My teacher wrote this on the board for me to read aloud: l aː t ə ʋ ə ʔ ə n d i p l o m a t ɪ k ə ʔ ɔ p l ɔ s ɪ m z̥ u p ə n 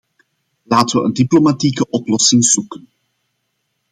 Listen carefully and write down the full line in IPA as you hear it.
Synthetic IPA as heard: l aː t ə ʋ ə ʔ ə n d i p l o m a t i k ə ʔ ɔ p l ɔ s ɪ ŋ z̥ u k ə n